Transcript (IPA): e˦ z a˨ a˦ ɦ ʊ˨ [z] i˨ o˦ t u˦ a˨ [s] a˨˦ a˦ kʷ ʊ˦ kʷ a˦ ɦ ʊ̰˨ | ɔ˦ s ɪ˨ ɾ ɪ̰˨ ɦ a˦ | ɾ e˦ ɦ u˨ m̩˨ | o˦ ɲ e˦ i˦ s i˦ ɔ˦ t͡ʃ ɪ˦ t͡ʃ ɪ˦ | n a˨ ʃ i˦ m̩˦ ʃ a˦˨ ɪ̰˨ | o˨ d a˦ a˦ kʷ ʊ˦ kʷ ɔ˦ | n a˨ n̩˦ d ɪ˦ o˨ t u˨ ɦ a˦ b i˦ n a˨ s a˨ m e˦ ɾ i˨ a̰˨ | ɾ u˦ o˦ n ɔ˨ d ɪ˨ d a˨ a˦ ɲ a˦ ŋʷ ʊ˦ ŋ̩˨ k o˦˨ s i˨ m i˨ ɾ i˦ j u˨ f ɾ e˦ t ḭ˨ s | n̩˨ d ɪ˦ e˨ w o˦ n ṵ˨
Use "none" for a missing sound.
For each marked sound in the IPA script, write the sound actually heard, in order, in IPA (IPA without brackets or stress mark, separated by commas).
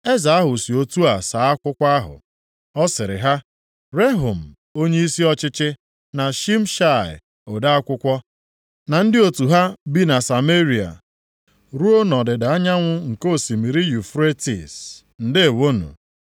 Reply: s, s